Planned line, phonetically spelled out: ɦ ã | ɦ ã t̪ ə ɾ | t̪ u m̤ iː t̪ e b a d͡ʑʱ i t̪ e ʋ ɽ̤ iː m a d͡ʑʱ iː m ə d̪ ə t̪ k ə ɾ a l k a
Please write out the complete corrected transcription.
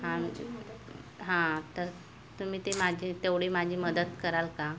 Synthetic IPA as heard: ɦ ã | ɦ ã t̪ ə ɾ | t̪ u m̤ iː t̪ e m a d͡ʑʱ i t̪ e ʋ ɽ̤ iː m a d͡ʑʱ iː m ə d̪ ə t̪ k ə ɾ a l k a